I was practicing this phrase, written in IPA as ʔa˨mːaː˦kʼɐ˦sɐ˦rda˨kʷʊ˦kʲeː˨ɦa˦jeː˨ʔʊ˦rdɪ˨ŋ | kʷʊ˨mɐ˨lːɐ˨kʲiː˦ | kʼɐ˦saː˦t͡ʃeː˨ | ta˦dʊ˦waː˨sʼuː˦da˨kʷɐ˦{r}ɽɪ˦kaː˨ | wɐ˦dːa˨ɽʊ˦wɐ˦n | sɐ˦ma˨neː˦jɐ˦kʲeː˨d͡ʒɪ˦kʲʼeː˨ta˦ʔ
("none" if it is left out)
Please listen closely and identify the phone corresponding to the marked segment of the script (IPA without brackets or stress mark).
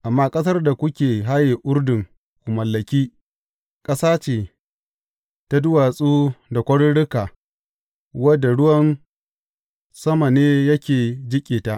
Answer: ɽ